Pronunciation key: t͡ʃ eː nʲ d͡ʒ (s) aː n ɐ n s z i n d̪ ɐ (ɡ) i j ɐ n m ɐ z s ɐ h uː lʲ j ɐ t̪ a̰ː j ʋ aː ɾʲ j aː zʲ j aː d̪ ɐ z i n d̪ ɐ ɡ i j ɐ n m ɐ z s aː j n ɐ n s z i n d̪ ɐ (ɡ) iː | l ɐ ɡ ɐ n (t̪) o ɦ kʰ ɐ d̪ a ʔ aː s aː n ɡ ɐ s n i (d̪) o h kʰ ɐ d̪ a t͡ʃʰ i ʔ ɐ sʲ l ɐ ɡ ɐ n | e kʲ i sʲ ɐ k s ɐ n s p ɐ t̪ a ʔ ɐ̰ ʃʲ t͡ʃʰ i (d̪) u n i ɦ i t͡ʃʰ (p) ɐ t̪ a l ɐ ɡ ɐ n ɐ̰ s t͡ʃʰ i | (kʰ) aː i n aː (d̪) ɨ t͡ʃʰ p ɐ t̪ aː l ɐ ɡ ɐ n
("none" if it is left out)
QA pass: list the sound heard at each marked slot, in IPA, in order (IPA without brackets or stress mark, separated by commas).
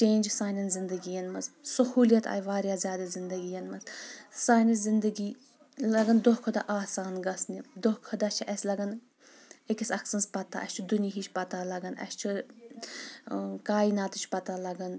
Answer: s, ɡ, ɡ, d̪, d̪, d̪, p, k, t̪